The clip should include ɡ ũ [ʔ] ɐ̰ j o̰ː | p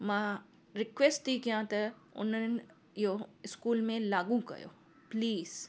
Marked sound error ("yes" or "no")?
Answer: yes